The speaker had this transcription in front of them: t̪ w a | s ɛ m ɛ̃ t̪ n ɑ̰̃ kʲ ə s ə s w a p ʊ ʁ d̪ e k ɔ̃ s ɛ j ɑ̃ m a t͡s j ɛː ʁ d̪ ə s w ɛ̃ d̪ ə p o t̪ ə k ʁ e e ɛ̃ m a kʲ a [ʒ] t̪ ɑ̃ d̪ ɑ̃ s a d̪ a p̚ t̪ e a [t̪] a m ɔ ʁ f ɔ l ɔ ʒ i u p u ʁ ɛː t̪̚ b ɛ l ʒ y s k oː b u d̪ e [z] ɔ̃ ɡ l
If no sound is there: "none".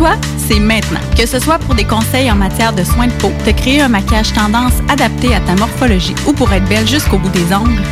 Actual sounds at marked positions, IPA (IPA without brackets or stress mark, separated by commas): ʒ, t̪, z